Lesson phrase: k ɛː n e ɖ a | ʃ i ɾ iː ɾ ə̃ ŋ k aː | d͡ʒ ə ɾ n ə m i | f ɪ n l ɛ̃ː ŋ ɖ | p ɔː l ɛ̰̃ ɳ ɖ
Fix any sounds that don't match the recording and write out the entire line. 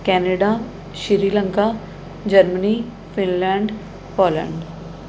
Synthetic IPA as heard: k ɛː n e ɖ a | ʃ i ɾ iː l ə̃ ŋ k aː | d͡ʒ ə ɾ m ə n i | f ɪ n l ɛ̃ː ɳ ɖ | p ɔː l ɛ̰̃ ɳ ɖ